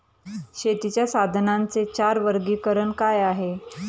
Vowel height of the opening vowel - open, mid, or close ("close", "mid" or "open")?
mid